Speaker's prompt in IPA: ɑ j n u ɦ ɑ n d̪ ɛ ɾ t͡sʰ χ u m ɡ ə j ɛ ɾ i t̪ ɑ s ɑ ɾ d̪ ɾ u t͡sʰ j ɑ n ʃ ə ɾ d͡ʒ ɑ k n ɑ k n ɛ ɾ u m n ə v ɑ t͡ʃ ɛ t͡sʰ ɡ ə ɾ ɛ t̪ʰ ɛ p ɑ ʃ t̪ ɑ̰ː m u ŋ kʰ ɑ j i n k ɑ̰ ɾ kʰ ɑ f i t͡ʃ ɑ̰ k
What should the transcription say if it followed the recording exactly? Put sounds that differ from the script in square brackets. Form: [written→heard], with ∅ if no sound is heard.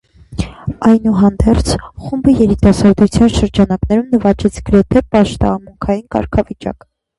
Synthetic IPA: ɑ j n u ɦ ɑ n d̪ ɛ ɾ t͡sʰ χ u m [ɡ→b] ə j ɛ ɾ i t̪ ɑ s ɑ ɾ d̪ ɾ u t͡sʰ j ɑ n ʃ ə ɾ d͡ʒ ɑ [k→∅] n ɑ k n ɛ ɾ u m n ə v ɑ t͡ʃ ɛ t͡sʰ ɡ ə ɾ ɛ t̪ʰ ɛ p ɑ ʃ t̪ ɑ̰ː m u ŋ kʰ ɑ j i n k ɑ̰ ɾ kʰ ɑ [f→v] i t͡ʃ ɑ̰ k